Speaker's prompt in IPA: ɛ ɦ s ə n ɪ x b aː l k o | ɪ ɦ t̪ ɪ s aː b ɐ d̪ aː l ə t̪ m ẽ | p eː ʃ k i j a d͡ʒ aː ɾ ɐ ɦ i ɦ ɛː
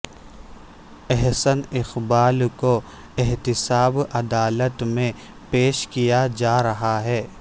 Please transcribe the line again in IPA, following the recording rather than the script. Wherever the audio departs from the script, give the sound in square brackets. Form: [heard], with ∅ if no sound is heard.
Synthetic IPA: ɛ ɦ s ə n ɪ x b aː l k o | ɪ ɦ t̪ ɪ s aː b ɐ d̪ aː l ə t̪ m ẽ | p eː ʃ k i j a d͡ʒ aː ɾ ɐ ɦ [a] ɦ ɛː